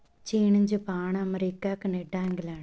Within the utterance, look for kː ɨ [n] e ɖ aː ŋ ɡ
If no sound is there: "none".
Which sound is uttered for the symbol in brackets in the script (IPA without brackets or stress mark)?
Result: n